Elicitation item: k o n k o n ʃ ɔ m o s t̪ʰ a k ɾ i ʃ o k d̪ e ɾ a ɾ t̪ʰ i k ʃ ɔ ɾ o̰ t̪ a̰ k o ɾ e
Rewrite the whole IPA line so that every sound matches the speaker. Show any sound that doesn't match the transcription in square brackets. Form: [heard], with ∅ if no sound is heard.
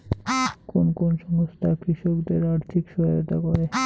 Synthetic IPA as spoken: k o n k o n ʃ ɔ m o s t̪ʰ a k ɾ i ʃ o k d̪ e ɾ a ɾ t̪ʰ i k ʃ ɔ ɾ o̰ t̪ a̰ k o ɾ e